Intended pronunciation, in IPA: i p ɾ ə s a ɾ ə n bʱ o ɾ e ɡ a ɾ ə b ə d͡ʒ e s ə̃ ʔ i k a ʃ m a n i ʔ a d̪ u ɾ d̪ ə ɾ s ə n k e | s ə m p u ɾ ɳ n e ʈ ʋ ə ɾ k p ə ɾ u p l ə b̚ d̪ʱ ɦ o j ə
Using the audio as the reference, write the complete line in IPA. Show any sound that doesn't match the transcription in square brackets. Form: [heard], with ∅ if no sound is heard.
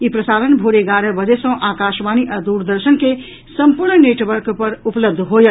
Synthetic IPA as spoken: i p ɾ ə s a ɾ ə n bʱ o ɾ e ɡ a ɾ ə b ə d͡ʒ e s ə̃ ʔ [a] k a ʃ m a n i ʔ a d̪ u ɾ d̪ ə ɾ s ə n k e | s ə m p u ɾ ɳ n e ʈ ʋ ə ɾ k p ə ɾ u p l ə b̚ d̪ʱ ɦ o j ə